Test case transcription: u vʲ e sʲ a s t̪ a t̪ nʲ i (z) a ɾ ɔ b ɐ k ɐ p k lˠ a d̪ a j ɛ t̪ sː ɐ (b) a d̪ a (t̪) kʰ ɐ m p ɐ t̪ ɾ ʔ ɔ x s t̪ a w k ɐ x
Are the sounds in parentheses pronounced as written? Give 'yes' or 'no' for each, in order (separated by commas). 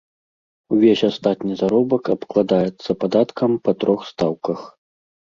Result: yes, no, yes